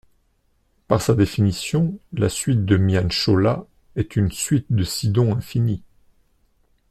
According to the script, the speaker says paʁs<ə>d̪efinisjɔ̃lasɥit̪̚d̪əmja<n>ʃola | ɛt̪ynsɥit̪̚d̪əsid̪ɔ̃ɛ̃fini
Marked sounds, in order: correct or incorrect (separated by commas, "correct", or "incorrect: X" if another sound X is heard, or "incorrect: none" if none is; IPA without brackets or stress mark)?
incorrect: a, correct